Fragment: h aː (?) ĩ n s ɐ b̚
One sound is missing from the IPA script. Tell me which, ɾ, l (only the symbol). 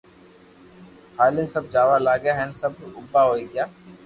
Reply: l